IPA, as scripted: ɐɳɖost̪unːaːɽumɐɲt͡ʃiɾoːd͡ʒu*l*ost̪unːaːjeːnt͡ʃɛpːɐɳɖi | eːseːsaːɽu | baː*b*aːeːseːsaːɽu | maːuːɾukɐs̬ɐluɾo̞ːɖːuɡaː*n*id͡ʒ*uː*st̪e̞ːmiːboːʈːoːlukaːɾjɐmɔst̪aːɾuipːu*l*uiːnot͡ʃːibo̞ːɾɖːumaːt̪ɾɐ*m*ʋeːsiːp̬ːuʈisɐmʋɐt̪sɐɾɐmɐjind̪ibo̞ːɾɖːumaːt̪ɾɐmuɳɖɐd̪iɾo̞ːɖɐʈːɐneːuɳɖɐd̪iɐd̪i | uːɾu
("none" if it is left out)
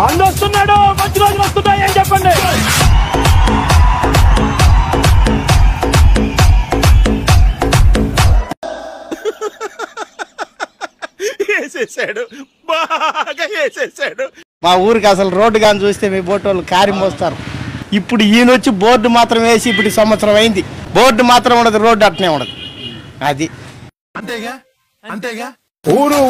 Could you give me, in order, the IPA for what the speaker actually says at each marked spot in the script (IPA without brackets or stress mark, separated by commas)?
l, ɡ, n, uː, ɽ, m